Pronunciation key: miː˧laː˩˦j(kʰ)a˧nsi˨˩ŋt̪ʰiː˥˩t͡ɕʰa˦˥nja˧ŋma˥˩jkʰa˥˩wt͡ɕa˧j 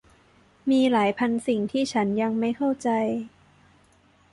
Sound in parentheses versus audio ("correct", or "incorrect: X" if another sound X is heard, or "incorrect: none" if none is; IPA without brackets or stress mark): incorrect: pʰ